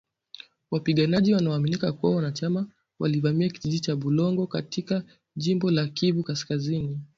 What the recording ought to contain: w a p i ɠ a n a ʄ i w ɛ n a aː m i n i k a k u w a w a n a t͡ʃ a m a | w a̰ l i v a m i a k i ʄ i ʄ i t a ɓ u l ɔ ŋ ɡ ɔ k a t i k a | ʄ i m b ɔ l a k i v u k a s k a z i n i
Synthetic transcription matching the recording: w a p i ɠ a n a ʄ i w a n a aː m i n i k a k u w a w a n a t͡ʃ a m a | w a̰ l i v a m i a k i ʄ i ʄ i t͡ʃ a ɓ u l ɔ ŋ ɡ ɔ k a t i k a | ʄ i m b ɔ l a k i v u k a s k a z i n i